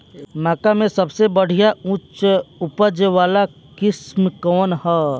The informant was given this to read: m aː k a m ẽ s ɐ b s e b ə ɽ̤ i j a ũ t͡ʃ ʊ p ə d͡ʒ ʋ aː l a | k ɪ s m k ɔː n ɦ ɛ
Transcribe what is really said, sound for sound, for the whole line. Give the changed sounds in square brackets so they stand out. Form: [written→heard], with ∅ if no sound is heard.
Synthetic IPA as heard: m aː k a m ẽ s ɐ b s e b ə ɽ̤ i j a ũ t͡ʃ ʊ p ə d͡ʒ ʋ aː l a | k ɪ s m k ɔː n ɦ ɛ